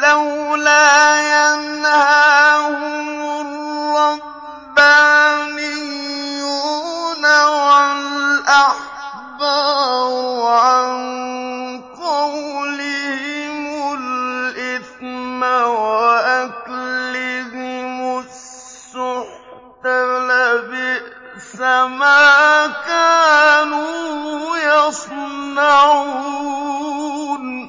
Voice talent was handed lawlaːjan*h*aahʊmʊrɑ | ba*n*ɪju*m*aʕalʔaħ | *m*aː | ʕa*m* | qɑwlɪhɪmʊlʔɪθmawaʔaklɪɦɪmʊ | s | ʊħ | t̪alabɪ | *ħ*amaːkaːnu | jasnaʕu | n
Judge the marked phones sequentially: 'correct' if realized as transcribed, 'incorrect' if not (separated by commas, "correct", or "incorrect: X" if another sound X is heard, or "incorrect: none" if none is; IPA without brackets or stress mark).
correct, correct, incorrect: n, incorrect: b, incorrect: n, incorrect: s